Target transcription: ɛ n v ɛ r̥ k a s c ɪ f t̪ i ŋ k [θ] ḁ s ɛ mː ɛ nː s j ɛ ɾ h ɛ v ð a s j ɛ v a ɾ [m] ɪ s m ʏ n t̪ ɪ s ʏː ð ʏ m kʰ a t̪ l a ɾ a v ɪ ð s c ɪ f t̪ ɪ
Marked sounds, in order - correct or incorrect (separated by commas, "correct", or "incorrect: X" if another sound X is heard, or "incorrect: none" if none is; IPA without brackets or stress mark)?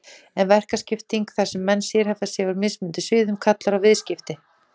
correct, correct